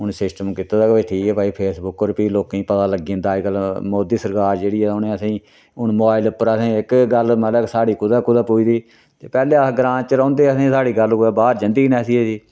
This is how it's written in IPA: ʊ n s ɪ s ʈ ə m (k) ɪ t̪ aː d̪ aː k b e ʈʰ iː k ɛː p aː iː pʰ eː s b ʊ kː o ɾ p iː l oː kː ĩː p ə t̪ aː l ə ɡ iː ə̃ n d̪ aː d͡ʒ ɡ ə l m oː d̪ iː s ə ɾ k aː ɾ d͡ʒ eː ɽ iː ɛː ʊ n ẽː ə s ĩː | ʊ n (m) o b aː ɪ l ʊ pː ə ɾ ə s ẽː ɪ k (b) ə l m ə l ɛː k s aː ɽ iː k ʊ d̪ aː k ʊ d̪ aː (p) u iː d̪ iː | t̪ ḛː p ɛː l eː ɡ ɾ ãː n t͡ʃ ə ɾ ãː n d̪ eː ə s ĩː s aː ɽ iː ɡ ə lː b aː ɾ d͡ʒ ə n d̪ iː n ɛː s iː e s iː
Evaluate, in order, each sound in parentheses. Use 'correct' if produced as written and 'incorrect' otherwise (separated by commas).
correct, correct, incorrect, correct